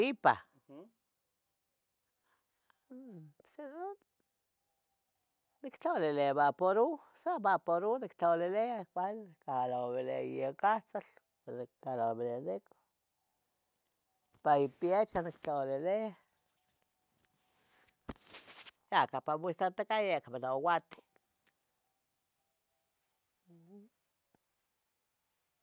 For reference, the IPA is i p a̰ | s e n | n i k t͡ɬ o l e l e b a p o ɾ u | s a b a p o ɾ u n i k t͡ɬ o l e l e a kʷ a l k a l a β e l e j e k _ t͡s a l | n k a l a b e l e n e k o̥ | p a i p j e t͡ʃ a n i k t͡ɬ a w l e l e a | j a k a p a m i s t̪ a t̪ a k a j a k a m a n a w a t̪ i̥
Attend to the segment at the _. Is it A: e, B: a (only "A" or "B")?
B